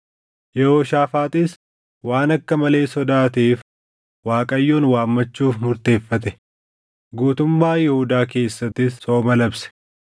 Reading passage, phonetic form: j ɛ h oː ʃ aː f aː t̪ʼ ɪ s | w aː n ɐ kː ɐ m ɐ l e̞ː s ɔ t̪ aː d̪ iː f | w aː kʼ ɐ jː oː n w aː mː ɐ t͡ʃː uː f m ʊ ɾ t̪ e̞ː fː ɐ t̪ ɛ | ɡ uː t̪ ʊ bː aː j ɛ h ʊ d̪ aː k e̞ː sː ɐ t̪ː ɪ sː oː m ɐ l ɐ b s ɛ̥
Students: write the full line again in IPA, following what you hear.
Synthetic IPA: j ɛ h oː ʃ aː f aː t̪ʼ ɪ s | w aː n ɐ kː ɐ m ɐ l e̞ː s ɔ d̪ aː t̪ iː f | w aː kʼ ɐ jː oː n w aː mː ɐ t͡ʃː uː f m ʊ ɾ t̪ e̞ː fː ɐ t̪ ɛ | ɡ uː t̪ ʊ mː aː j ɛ h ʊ d̪ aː k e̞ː sː ɐ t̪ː ɪ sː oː m ɐ l ɐ b s ɛ̥

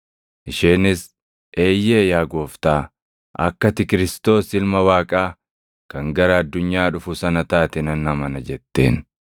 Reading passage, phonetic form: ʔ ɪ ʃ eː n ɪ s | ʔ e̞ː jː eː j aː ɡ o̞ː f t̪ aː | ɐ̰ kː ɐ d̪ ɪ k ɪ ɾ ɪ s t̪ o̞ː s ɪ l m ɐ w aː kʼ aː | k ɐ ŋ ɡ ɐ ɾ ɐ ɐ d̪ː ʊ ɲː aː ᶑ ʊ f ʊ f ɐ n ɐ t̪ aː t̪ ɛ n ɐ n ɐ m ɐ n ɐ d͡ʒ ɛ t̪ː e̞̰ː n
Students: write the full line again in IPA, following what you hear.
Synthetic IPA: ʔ ɪ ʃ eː n ɪ s | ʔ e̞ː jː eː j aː ɡ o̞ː f t̪ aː | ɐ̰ kː ɐ t̪ ɪ k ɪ ɾ ɪ s t̪ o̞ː s ɪ l m ɐ w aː kʼ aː | k ɐ ŋ ɡ ɐ ɾ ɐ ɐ d̪ː ʊ ɲː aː ᶑ ʊ f ʊ s ɐ n ɐ t̪ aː t̪ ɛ n ɐ n ɐ m ɐ n ɐ d͡ʒ ɛ t̪ː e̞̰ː n

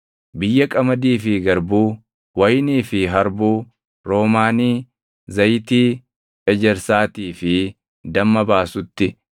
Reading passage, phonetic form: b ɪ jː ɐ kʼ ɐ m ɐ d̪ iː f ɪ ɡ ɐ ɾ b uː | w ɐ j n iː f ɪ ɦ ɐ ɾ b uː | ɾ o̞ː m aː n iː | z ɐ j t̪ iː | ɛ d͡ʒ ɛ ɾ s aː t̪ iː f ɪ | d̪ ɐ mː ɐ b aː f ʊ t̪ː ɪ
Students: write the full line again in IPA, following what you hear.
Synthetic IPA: b ɪ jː ɐ kʼ ɐ m ɐ d̪ iː f ɪ ɡ ɐ ɾ b uː | w ɐ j n iː f ɪ ɦ ɐ ɾ b uː | ɾ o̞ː m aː n iː | z ɐ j t̪ iː | ɛ d͡ʒ ɛ ɾ s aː t̪ iː f ɪ | d̪ ɐ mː ɐ b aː s ʊ t̪ː ɪ

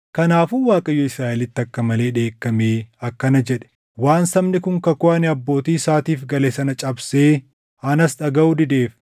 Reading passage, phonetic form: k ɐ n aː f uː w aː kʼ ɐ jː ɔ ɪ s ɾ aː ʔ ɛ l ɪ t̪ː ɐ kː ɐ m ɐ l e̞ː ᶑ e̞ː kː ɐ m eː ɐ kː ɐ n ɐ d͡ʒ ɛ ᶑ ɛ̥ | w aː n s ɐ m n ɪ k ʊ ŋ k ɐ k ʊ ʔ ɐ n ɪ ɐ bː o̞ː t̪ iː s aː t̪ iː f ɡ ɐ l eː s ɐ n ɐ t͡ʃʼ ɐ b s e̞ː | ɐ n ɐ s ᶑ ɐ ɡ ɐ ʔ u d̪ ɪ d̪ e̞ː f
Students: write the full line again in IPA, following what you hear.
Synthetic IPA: k ɐ n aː f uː w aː kʼ ɐ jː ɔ ɪ s ɾ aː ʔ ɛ l ɪ t̪ː ɐ kː ɐ m ɐ l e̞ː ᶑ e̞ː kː ɐ m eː ɐ kː ɐ n ɐ d͡ʒ ɛ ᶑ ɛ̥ | w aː n s ɐ m n ɪ k ʊ ŋ k ɐ k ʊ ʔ ɐ n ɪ ɐ bː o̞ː t̪ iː s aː t̪ iː f ɡ ɐ l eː s ɐ n ɐ t͡ʃʼ ɐ b s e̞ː | ɐ n ɐ s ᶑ ɐ ɡ ɐ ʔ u d̪ ɪ d̪ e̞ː f

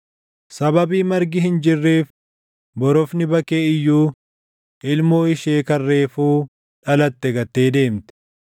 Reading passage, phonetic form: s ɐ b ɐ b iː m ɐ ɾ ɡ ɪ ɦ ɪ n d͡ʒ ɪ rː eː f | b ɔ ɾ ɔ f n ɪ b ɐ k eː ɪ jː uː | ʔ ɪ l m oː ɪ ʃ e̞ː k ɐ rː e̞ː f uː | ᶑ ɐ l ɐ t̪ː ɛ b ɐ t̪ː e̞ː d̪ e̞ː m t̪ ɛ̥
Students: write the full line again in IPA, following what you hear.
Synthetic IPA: s ɐ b ɐ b iː m ɐ ɾ ɡ ɪ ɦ ɪ n d͡ʒ ɪ rː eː f | b ɔ ɾ ɔ f n ɪ b ɐ k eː ɪ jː uː | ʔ ɪ l m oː ɪ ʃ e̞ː k ɐ rː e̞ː f uː | ᶑ ɐ l ɐ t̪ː ɛ ɡ ɐ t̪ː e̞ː d̪ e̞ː m t̪ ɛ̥

